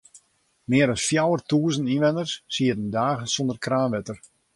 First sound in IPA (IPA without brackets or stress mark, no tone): m